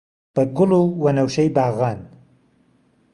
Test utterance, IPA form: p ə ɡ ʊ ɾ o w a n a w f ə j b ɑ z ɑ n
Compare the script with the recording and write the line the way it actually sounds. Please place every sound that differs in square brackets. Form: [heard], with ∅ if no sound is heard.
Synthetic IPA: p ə ɡ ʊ [l] o w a n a w [ʃ] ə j b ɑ [ɣ] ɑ n